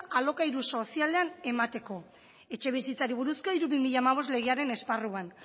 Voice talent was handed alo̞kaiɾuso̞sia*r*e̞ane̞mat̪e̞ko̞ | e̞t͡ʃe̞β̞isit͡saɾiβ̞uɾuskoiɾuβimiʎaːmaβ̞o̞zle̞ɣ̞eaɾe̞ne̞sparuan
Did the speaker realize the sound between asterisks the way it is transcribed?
no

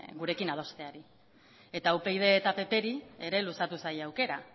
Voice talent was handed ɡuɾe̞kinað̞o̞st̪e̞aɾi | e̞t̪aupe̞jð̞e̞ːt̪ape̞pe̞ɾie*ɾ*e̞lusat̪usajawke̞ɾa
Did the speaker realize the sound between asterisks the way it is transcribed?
yes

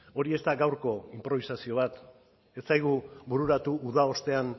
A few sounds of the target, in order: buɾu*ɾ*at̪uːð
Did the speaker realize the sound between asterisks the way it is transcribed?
yes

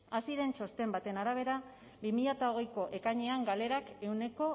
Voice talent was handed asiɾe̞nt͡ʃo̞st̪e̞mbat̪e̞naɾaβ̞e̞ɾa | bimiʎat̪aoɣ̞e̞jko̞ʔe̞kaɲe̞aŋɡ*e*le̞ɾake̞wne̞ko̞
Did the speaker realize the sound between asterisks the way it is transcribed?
no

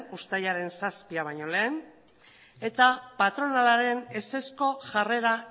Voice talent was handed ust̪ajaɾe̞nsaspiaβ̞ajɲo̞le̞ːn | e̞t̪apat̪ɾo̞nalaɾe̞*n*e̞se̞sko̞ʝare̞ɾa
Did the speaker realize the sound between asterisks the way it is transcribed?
yes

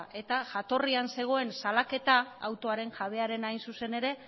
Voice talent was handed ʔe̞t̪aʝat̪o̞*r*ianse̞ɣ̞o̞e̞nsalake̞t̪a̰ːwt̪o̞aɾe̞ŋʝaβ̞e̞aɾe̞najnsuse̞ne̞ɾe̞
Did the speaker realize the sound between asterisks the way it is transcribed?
yes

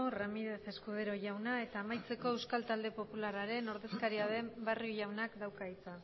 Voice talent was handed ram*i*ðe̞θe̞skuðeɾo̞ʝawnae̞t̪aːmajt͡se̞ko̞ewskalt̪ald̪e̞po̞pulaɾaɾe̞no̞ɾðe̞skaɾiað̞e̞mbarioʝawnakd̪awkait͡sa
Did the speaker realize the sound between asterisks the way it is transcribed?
yes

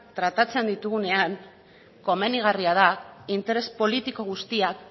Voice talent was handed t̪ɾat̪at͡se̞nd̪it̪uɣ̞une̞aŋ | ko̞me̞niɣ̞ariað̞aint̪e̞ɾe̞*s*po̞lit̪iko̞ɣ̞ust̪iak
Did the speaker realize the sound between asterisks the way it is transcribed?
yes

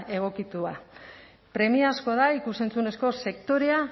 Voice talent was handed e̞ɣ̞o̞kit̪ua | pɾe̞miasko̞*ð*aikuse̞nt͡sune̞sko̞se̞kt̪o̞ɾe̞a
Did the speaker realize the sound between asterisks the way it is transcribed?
yes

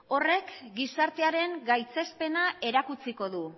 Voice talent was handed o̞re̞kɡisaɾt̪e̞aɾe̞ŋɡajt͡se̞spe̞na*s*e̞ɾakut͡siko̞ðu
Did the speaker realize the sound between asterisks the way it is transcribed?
no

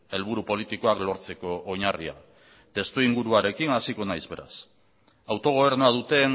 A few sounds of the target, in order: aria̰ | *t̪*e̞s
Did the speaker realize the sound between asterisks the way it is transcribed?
yes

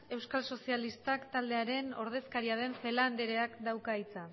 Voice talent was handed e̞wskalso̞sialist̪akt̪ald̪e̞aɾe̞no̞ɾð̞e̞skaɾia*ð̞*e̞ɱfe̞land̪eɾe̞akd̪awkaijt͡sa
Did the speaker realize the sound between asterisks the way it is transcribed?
yes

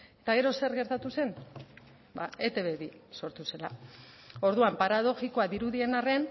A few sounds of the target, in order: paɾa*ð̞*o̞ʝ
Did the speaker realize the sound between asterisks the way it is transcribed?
yes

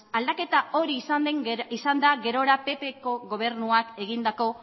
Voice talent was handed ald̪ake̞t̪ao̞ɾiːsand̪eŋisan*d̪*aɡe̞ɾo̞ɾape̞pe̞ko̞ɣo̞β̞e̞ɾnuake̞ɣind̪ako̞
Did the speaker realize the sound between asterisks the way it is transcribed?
yes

